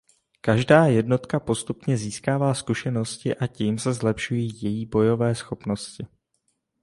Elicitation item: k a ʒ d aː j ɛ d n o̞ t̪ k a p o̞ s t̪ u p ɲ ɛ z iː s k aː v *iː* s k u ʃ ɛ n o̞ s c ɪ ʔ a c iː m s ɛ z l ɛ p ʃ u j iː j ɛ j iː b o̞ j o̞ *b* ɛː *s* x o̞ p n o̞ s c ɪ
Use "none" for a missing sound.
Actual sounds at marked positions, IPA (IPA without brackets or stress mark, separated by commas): aː, v, s